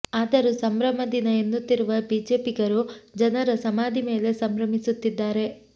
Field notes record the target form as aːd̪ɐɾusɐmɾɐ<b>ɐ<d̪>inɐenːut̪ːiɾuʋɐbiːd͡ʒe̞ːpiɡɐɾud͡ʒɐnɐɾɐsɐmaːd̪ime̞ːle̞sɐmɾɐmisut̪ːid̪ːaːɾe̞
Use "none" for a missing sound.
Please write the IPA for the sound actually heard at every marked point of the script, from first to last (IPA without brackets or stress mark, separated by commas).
m, d̪